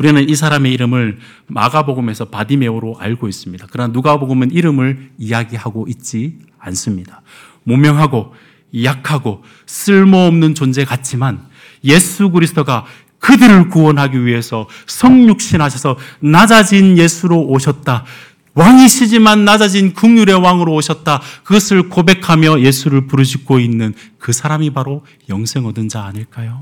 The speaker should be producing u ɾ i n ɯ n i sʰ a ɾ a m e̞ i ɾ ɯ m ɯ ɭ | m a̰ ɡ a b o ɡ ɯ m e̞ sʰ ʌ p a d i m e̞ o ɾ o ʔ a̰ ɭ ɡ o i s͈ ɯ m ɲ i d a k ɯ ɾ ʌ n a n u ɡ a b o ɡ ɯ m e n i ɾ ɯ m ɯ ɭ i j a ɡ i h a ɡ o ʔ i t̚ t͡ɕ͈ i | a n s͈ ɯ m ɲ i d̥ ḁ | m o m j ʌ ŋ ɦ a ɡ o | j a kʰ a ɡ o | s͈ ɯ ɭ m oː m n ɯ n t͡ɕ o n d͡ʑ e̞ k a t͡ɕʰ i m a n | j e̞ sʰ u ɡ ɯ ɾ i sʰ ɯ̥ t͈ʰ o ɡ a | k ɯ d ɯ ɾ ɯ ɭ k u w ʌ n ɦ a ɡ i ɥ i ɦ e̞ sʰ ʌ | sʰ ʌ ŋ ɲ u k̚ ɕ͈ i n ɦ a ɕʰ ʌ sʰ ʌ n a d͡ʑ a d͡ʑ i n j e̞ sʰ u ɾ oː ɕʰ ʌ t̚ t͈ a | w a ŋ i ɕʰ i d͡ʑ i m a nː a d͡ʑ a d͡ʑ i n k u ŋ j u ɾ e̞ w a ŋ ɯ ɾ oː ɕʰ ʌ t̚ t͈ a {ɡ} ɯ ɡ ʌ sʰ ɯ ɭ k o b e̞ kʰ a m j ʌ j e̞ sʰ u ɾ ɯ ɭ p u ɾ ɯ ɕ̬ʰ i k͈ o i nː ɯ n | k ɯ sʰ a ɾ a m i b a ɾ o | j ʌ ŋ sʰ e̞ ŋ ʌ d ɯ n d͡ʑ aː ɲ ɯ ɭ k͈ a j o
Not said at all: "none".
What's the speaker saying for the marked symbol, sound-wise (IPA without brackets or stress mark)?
k